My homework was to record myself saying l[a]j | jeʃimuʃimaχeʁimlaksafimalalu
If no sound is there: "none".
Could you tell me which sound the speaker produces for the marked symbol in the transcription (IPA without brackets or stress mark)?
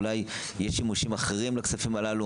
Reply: a